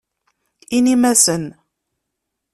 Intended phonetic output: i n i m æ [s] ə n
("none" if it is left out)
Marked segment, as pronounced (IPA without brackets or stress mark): s